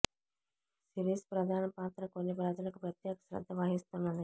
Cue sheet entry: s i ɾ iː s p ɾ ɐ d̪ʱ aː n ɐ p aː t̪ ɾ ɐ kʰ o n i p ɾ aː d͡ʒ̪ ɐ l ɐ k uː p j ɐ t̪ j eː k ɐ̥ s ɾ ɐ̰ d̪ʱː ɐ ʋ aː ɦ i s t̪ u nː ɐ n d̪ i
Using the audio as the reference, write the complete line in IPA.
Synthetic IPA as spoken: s i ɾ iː s p ɾ ɐ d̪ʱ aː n ɐ p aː t̪ ɾ ɐ k o nː i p ɾ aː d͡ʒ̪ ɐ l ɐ k u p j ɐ t̪ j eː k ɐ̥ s ɾ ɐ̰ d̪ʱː ɐ ʋ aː ɦ i s t̪ u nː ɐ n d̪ i